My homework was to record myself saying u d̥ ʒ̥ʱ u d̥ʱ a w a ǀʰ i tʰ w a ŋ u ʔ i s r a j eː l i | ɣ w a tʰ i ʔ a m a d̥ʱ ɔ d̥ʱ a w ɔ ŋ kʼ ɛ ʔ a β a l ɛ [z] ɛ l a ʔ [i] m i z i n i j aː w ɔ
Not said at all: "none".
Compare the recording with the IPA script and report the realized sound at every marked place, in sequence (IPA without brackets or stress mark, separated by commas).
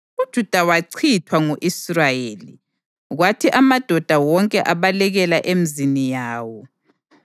ɣ, e